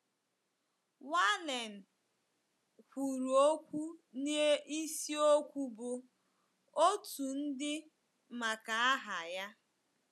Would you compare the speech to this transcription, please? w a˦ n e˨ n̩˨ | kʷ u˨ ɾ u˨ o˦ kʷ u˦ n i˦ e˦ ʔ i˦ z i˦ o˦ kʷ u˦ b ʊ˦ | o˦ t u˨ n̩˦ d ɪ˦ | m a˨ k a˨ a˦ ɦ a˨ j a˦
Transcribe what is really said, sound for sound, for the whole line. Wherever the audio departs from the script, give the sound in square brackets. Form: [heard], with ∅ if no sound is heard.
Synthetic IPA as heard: w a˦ n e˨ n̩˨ | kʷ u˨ ɾ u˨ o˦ kʷ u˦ n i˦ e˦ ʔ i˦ [s] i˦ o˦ kʷ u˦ b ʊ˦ | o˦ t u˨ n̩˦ d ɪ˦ | m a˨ k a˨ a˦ ɦ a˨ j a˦

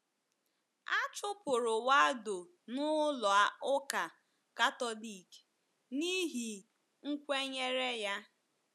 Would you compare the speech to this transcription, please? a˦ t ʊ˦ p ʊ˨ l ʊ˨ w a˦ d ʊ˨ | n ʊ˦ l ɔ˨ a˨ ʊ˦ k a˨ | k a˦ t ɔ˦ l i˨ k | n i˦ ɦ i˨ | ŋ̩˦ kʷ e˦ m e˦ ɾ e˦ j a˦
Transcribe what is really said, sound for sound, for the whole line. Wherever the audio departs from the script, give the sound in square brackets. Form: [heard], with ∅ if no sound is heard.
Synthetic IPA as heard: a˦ [t͡ʃ] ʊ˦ p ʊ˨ [ɾ] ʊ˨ w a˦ d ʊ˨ | n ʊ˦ l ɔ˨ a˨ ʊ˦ k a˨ | k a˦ t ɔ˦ l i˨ k | n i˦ ɦ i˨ | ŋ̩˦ kʷ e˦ [ɲ] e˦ ɾ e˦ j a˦

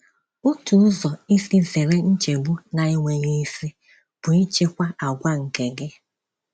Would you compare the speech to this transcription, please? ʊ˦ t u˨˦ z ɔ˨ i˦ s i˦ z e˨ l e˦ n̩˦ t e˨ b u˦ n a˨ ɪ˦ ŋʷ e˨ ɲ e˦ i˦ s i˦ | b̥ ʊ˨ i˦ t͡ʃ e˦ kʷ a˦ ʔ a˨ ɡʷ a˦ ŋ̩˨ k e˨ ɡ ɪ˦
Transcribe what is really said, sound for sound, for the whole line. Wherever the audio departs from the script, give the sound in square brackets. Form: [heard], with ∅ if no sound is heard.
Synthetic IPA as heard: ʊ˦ t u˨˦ z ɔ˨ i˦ s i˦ z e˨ [ɾ] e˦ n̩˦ [t͡ʃ] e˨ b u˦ n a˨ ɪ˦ ŋʷ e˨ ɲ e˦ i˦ s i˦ | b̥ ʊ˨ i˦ t͡ʃ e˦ kʷ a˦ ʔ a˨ ɡʷ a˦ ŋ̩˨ k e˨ ɡ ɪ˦

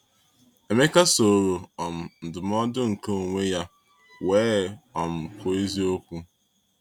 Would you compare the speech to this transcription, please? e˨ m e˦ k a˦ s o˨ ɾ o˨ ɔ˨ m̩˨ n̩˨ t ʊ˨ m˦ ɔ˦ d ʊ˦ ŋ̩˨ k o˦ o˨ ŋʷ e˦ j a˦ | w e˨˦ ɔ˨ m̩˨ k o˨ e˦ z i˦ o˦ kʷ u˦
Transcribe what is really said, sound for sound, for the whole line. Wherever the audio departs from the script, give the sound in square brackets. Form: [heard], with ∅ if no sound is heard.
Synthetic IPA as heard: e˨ m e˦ k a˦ s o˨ ɾ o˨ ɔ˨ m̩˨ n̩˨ [d] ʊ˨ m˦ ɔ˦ d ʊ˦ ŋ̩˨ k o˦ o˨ ŋʷ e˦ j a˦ | w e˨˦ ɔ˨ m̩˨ k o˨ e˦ z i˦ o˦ kʷ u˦

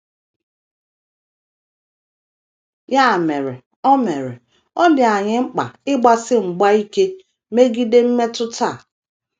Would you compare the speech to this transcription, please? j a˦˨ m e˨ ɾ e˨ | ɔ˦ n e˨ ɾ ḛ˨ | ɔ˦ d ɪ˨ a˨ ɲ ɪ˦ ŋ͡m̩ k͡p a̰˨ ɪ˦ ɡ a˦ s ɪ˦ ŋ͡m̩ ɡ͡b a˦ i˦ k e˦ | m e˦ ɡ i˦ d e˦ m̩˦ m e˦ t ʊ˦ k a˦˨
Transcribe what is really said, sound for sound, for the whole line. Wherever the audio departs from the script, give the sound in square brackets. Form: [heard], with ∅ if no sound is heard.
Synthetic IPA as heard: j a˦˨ m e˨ ɾ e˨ | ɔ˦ [m] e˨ ɾ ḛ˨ | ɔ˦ d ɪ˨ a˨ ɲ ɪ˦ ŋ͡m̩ k͡p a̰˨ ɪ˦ [ɡ͡b] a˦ s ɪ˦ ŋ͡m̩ ɡ͡b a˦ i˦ k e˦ | m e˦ ɡ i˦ d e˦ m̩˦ m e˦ t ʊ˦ [t] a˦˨

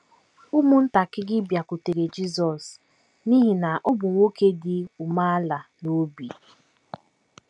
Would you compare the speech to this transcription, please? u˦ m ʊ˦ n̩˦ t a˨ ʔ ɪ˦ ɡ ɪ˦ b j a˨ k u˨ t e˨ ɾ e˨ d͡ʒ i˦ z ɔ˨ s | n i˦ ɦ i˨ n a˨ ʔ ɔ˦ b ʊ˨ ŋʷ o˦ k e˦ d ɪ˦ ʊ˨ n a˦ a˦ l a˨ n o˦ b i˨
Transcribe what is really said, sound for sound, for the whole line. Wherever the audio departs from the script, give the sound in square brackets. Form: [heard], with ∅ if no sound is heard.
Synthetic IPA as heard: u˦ m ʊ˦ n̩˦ t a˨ [k] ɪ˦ ɡ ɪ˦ b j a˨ k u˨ t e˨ ɾ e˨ d͡ʒ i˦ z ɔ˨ s | n i˦ ɦ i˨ n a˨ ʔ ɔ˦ b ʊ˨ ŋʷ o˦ k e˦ d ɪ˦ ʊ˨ [m] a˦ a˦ l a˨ n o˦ b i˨

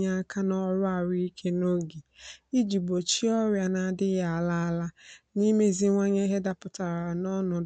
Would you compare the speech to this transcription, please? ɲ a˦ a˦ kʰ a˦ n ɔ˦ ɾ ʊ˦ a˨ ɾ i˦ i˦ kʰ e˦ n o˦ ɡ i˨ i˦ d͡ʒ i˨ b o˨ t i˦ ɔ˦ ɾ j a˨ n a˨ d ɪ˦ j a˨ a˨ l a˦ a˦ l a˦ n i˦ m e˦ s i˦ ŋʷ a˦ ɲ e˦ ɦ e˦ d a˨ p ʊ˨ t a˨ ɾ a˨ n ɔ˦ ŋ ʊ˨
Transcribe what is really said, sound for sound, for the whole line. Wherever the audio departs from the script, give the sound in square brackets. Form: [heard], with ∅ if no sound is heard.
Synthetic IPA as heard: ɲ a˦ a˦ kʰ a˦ n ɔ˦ ɾ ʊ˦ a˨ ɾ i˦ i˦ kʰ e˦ n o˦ ɡ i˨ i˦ d͡ʒ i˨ b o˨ [t͡ʃ] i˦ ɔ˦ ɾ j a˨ n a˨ d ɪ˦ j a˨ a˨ l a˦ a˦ l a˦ n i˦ m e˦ [z] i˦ ŋʷ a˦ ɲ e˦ ɦ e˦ d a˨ p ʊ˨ t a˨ ɾ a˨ n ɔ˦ [n] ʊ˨

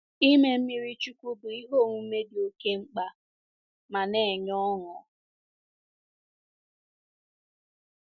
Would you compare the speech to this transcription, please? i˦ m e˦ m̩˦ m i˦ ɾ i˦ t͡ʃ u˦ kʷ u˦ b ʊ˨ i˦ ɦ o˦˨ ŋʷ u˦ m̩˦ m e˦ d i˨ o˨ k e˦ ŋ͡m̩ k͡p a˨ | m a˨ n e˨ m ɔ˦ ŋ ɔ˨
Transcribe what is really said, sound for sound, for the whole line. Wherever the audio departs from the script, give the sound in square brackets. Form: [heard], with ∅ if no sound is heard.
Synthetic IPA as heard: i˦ m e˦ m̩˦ m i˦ ɾ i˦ t͡ʃ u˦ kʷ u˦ b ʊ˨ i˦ ɦ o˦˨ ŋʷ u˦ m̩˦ m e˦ d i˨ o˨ k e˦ ŋ͡m̩ k͡p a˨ | m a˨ n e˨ [ɲ] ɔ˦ ŋ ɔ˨

